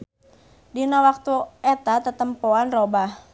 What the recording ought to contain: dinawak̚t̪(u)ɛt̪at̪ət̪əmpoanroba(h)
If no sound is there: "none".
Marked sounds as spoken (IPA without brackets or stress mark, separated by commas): u, h